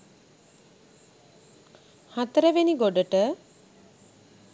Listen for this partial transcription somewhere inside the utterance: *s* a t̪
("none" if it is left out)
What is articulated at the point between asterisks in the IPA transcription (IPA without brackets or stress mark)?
h